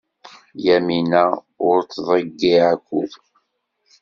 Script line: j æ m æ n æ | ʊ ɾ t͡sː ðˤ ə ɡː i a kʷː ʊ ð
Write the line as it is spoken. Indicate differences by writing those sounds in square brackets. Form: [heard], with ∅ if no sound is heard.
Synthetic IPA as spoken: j æ m [i] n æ | ʊ ɾ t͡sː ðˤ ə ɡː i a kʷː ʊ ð